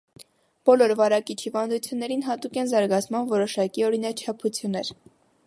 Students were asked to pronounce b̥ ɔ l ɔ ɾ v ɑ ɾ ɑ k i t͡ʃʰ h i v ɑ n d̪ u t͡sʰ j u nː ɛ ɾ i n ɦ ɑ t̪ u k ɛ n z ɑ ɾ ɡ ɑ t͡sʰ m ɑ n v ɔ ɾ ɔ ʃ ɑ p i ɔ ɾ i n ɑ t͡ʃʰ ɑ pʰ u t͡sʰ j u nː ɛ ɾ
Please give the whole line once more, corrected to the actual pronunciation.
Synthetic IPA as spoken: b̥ ɔ l ɔ ɾ v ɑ ɾ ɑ k i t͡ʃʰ h i v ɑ n d̪ u t͡sʰ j u nː ɛ ɾ i n ɦ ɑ t̪ u k ɛ n z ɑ ɾ ɡ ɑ t͡sʰ m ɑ n v ɔ ɾ ɔ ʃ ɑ k i ɔ ɾ i n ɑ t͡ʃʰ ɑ pʰ u t͡sʰ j u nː ɛ ɾ